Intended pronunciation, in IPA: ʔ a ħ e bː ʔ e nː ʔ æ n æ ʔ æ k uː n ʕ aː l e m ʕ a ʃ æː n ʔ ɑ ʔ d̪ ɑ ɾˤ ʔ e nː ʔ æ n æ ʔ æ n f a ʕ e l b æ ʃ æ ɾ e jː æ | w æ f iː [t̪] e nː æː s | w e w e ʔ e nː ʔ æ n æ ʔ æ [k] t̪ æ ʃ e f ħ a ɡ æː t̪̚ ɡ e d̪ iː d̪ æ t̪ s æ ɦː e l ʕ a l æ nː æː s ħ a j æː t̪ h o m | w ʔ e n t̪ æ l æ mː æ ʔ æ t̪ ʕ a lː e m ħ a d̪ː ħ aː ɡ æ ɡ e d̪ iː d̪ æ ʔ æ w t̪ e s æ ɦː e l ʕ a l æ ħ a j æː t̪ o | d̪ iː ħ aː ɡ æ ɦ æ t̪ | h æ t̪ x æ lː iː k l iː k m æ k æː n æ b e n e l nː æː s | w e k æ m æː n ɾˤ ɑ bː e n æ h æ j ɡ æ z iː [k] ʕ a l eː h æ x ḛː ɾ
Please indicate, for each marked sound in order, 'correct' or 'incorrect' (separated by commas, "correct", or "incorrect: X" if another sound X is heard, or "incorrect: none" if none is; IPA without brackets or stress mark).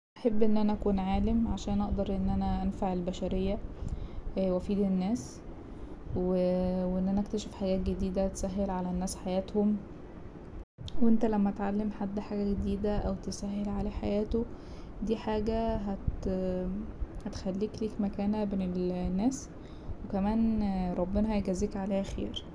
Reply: incorrect: d̪, correct, correct